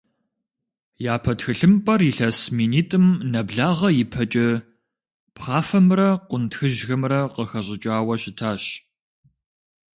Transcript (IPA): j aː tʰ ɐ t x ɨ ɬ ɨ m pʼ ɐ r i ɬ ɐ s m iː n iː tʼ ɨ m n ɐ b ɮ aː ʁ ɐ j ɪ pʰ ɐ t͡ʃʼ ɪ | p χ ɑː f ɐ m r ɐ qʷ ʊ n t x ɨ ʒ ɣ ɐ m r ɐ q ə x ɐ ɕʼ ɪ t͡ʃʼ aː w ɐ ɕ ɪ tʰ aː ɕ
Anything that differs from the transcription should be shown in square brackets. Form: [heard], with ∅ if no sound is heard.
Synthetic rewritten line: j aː [pʰ] ɐ t x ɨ ɬ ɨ m pʼ ɐ r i ɬ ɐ s m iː n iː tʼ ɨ m n ɐ b ɮ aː ʁ ɐ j ɪ pʰ ɐ t͡ʃʼ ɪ | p χ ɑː f ɐ m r ɐ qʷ ʊ n t x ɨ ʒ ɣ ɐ m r ɐ q ə x ɐ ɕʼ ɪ t͡ʃʼ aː w ɐ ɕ ɪ tʰ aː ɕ

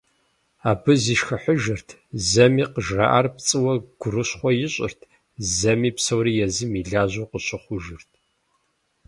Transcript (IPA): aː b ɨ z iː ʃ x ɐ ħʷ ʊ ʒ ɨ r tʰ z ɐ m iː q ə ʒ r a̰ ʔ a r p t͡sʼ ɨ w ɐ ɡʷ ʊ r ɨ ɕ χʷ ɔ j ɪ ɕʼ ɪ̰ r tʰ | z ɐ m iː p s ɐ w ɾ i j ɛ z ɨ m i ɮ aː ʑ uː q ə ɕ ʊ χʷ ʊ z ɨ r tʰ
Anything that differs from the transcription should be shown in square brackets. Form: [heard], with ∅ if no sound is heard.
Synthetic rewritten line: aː b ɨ z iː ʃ x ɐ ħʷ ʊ ʒ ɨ r tʰ z ɐ m iː q ə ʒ r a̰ ʔ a r p t͡sʼ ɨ w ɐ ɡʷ ʊ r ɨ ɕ χʷ ɔ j ɪ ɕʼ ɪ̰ r tʰ | z ɐ m iː p s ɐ w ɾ i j ɛ z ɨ m i ɮ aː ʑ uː q ə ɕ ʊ χʷ ʊ [ʒ] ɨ r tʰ

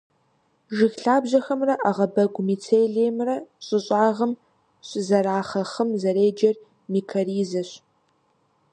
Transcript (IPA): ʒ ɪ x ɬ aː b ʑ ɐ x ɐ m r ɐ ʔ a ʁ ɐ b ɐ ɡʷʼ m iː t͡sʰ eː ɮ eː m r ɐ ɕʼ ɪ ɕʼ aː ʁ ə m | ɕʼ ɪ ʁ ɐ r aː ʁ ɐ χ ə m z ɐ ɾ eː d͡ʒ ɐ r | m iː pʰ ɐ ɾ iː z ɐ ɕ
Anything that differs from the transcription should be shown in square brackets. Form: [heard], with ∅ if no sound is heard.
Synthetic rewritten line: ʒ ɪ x ɬ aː b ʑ ɐ x ɐ m r ɐ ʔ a ʁ ɐ b ɐ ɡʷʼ m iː t͡sʰ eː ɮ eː m r ɐ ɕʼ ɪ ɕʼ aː ʁ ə m | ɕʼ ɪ [z] ɐ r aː [χ] ɐ χ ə m z ɐ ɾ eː d͡ʒ ɐ r | m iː [kʰ] ɐ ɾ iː z ɐ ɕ

